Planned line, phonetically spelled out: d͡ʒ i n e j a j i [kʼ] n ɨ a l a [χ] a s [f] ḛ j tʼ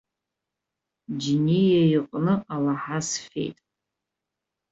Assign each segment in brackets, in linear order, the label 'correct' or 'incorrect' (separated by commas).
incorrect, incorrect, correct